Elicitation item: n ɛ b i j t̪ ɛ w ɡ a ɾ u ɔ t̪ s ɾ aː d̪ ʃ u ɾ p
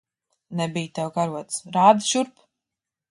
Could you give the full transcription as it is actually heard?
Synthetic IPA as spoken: n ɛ b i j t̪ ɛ w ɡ a ɾ u ɔ t̪ s ɾ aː d̪ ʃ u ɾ p